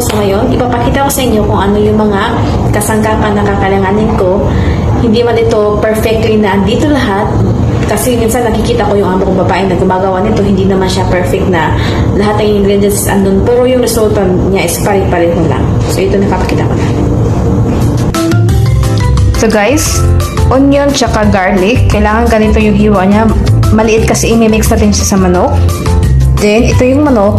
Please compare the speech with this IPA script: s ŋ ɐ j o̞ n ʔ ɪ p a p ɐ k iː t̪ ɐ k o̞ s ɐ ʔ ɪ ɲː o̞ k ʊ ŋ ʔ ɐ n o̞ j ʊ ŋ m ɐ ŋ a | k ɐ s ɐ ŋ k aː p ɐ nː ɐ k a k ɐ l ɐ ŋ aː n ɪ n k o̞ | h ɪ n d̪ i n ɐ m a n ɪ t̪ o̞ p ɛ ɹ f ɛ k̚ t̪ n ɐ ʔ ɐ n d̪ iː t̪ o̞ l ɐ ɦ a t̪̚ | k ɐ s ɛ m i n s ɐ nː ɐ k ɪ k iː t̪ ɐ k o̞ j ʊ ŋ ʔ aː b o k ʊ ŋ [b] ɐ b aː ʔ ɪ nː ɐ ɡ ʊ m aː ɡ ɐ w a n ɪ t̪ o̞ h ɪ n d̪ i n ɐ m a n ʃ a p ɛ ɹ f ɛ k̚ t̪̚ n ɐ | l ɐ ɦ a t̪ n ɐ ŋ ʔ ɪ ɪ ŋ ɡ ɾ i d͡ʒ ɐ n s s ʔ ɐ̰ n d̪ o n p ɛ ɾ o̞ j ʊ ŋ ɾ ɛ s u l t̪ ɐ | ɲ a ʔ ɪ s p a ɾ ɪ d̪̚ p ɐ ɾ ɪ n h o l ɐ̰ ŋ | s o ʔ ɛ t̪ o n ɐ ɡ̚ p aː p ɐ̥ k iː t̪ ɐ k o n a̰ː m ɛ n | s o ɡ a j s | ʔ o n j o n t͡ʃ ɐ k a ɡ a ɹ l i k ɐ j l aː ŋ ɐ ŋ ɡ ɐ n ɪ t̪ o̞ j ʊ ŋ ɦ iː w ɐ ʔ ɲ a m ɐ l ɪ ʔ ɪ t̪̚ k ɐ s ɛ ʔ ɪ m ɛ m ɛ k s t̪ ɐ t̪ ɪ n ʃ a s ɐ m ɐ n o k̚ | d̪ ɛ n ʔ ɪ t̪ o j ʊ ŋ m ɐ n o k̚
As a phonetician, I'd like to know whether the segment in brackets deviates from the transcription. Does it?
no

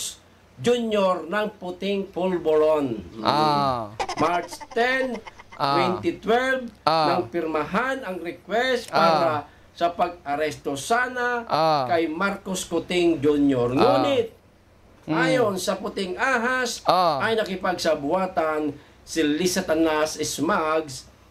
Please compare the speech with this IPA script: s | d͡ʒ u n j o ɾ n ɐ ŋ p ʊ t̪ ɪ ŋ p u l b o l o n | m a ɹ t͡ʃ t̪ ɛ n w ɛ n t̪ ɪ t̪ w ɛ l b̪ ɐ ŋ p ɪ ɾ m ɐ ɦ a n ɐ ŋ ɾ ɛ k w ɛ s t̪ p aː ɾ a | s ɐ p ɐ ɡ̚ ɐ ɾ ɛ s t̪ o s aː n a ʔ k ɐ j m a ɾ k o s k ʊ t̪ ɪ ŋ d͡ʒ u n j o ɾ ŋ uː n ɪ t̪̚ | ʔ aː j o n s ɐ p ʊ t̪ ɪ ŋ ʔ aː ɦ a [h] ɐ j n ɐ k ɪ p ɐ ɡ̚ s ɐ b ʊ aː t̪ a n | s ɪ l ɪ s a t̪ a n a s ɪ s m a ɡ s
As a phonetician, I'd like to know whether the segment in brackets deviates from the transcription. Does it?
yes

